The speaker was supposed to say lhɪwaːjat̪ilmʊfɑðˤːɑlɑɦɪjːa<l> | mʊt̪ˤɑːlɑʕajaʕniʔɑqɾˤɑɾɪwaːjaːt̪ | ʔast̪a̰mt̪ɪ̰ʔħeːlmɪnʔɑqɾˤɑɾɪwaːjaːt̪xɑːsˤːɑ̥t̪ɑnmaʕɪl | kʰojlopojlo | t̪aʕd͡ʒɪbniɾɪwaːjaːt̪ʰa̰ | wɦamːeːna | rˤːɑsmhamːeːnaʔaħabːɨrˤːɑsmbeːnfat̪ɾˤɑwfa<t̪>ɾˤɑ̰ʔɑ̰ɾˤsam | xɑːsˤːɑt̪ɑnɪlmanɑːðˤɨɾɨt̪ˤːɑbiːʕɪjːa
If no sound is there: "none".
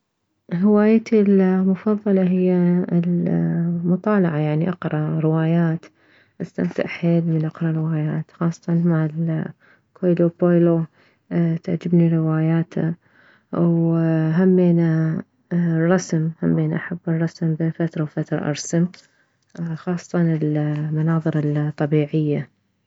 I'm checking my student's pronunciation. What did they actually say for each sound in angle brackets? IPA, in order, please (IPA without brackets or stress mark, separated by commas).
l, t̪